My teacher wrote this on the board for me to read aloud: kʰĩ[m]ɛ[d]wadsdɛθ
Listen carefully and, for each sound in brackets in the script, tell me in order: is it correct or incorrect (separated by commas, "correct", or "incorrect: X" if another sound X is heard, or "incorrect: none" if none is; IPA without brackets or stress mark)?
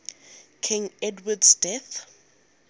incorrect: ŋ, correct